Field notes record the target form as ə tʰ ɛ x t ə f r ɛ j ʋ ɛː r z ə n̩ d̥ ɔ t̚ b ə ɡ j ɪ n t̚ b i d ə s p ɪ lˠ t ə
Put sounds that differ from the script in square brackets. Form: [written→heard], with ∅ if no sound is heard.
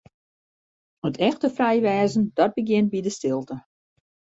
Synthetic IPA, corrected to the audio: ə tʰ ɛ x t ə f r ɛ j ʋ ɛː [r→∅] z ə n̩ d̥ ɔ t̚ b ə ɡ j ɪ n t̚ b i d ə s [p→t] ɪ lˠ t ə